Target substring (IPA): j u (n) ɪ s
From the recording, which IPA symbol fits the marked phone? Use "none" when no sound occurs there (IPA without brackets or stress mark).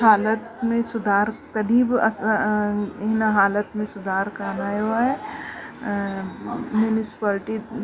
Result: n